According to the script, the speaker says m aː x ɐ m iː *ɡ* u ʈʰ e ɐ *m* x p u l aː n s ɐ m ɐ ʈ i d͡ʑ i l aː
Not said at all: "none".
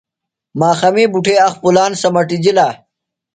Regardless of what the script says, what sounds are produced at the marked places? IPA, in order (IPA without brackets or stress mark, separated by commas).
b, none